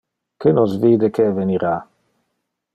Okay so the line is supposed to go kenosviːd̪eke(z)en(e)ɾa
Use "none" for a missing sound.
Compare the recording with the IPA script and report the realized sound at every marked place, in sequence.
v, i

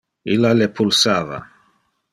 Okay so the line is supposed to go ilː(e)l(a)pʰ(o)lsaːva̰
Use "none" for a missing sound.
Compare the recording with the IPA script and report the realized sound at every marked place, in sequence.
a, e, u

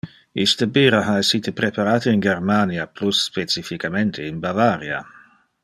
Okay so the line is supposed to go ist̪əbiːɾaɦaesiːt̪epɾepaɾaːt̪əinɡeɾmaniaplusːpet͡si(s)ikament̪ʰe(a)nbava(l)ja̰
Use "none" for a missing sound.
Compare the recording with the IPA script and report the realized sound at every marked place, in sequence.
f, i, ɾ

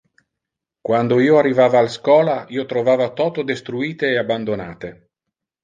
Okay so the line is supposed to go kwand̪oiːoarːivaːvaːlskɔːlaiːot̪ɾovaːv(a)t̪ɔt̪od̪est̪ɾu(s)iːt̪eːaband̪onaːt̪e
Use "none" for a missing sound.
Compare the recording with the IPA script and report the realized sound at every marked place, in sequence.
a, none

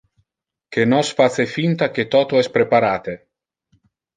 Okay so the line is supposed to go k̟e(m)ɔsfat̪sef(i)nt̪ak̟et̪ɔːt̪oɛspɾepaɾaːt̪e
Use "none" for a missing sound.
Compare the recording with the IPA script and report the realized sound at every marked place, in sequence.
n, i

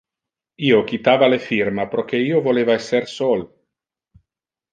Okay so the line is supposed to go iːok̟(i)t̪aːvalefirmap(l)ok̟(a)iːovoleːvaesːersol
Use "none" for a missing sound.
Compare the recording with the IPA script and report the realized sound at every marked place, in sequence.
i, ɾ, e

